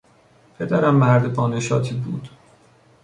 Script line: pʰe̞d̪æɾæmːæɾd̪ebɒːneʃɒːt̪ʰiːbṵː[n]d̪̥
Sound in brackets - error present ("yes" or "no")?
yes